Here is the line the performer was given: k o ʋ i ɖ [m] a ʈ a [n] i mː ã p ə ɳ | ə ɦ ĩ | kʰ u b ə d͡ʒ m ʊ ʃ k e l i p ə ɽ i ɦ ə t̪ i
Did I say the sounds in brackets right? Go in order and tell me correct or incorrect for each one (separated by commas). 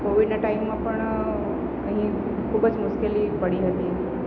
incorrect, incorrect